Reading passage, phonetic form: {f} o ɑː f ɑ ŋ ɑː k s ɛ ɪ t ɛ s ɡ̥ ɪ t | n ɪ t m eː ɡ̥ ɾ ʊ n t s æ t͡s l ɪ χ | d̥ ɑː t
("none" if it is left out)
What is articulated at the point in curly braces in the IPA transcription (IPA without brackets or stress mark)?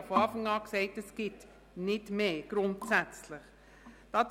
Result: f